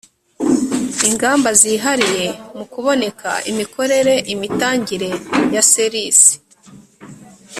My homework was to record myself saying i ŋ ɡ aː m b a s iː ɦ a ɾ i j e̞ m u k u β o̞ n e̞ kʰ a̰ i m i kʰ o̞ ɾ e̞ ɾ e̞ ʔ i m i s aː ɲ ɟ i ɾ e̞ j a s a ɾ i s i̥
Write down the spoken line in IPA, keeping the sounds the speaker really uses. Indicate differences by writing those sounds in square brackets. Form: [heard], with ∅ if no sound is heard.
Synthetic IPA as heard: i ŋ ɡ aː m b a [z] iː ɦ a ɾ i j e̞ m u k u β o̞ n e̞ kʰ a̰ i m i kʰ o̞ ɾ e̞ ɾ e̞ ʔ i m i [t] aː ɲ ɟ i ɾ e̞ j a s [e] ɾ i s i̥